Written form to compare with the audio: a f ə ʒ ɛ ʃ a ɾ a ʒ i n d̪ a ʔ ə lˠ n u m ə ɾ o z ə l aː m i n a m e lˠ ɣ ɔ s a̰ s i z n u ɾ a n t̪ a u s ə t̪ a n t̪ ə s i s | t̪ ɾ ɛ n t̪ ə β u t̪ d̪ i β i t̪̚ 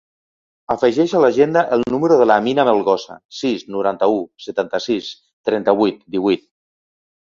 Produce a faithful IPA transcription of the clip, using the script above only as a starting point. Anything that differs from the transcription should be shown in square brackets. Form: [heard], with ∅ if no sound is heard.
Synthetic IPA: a f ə ʒ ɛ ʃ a [l] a ʒ [e] n d̪ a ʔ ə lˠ n u m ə ɾ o [ð] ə l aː m i n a m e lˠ ɣ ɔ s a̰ s i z n u ɾ a n t̪ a u s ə t̪ a n t̪ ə s i s | t̪ ɾ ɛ n t̪ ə β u t̪ d̪ i β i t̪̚